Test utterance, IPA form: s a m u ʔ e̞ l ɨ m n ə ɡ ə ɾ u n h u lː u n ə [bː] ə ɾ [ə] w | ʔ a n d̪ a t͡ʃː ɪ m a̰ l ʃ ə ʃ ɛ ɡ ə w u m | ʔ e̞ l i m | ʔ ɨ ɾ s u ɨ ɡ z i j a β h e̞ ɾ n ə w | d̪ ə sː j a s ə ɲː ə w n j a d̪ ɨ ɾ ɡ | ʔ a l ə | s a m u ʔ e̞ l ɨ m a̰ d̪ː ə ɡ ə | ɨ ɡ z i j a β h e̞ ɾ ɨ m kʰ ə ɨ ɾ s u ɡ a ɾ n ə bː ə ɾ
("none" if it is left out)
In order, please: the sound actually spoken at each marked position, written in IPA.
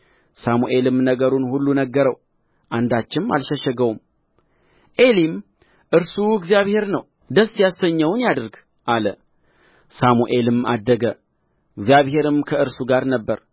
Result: ɡː, ə

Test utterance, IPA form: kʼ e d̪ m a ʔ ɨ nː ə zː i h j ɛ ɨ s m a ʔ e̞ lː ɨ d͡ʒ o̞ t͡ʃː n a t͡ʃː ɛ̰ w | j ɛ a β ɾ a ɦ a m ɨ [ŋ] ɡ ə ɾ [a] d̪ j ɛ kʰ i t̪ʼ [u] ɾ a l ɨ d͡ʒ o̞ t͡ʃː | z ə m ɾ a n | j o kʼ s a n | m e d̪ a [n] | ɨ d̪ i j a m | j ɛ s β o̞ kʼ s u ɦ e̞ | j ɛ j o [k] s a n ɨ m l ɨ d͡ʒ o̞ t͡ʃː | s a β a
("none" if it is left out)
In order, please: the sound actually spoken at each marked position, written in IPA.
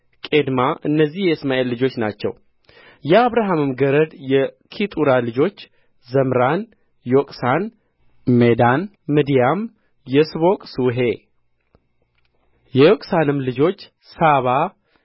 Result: m, ə, u, nː, kʼ

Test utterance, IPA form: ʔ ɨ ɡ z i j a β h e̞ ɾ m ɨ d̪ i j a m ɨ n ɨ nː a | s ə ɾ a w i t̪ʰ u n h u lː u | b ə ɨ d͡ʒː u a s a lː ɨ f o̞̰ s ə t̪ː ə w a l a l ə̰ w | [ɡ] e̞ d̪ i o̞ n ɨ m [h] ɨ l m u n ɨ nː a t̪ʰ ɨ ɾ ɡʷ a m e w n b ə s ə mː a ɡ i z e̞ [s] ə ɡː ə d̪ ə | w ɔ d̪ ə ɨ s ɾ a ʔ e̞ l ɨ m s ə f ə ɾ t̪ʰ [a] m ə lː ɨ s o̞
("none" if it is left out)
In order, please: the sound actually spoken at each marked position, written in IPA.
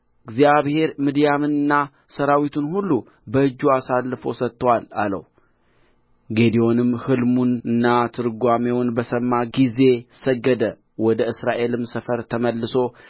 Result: ɡ, h, s, ə

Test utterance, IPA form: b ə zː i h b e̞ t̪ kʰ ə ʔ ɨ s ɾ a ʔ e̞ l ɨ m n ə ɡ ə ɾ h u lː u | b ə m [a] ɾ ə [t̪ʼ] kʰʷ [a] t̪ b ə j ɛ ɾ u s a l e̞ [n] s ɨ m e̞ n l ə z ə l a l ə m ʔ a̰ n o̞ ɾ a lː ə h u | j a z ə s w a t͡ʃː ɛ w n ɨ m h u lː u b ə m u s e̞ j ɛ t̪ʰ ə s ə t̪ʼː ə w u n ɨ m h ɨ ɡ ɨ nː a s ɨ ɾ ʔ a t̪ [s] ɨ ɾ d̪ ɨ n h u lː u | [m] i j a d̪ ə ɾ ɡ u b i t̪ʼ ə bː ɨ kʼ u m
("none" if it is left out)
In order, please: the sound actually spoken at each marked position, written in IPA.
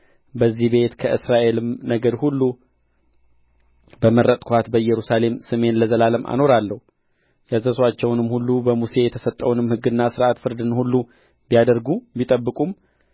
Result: ə, t̪ʼ, a, m, f, b

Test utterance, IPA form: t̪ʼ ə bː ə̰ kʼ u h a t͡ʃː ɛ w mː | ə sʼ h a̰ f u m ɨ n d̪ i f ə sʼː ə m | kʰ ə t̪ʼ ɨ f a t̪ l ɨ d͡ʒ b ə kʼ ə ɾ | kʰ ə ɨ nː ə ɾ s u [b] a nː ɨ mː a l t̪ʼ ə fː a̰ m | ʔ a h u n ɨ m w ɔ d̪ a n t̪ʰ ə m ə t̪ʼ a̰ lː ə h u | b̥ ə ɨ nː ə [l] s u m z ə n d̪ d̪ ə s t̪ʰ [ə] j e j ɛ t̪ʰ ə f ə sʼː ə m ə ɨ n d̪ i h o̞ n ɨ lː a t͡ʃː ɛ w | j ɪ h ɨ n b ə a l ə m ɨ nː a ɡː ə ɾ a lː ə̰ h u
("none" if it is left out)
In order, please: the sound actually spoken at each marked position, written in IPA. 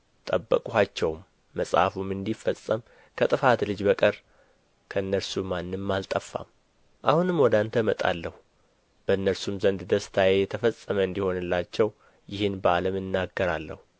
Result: m, ɾ, a

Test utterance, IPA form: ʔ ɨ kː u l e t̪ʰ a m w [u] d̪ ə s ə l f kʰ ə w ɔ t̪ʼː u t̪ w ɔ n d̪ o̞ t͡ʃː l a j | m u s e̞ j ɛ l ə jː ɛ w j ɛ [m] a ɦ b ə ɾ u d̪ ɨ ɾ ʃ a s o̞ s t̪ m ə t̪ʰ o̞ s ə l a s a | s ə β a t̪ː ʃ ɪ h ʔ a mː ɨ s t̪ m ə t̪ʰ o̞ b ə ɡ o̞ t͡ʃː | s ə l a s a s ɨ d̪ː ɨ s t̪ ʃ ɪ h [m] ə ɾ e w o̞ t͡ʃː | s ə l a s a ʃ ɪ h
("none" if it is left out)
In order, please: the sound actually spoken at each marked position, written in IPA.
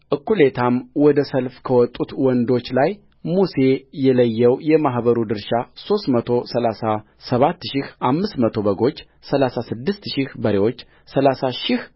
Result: ɔ, m, b

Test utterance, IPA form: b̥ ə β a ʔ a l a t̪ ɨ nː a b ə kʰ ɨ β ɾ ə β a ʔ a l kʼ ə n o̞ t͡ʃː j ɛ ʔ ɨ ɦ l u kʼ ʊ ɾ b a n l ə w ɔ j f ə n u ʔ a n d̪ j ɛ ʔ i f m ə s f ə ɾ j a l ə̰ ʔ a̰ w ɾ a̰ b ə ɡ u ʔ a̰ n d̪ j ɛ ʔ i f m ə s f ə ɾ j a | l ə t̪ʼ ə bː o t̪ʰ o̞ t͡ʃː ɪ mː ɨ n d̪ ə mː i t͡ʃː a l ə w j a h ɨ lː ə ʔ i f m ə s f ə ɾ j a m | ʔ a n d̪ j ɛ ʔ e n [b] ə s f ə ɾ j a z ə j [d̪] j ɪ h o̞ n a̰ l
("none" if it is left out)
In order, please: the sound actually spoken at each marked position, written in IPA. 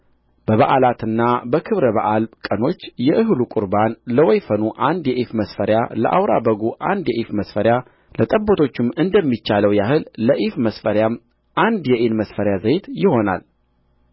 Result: m, t̪

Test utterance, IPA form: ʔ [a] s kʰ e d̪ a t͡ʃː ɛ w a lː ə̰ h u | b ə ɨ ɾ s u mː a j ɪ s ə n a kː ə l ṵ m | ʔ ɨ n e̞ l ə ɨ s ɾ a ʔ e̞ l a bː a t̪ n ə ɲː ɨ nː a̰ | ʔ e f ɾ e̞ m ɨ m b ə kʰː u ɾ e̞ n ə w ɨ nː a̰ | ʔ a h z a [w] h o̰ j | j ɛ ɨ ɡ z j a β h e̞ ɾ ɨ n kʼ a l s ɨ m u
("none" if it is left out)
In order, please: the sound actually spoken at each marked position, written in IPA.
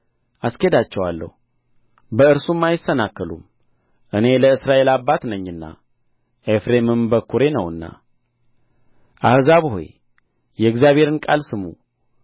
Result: a, β

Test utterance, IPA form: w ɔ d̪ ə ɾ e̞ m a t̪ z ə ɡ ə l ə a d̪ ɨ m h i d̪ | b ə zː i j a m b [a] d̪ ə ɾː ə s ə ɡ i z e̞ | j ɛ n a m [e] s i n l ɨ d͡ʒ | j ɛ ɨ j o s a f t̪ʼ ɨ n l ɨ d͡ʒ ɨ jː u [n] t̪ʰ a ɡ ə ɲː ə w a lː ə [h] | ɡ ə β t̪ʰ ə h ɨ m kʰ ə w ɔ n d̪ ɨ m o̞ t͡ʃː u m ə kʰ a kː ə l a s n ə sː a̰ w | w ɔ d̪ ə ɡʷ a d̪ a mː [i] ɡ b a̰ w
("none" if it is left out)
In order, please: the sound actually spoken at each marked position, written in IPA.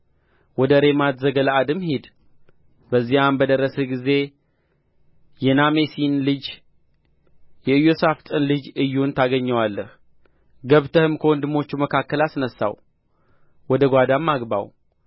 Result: ə, e, n, h, a

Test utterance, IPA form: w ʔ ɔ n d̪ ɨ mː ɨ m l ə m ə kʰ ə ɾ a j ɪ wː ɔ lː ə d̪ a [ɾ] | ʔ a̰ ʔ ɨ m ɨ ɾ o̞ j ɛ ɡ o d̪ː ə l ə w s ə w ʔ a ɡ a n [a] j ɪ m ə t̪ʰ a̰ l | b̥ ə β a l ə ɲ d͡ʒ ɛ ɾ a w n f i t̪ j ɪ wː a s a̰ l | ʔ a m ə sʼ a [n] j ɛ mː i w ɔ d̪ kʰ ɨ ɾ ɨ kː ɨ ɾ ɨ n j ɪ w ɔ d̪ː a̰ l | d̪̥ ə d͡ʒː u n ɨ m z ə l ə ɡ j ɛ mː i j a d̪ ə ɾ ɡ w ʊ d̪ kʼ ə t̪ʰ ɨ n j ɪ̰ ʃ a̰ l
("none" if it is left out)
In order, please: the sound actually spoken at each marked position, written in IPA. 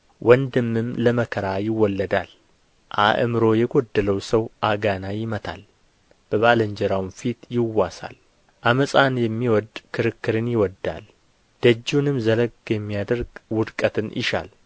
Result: l, a, n

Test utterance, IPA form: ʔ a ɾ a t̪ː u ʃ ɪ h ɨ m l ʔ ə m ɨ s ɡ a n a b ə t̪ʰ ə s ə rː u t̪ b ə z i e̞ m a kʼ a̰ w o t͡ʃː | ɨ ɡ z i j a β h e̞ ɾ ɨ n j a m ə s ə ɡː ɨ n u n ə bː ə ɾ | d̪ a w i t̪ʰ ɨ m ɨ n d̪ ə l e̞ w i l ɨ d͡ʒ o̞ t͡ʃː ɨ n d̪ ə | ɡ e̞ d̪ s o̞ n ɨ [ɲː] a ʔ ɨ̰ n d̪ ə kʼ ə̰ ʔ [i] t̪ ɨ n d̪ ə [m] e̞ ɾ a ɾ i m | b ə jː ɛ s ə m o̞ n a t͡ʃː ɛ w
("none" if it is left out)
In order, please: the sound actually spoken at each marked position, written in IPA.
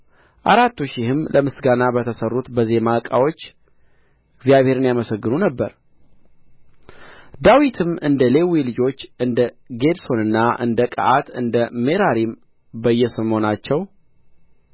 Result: nː, a, m

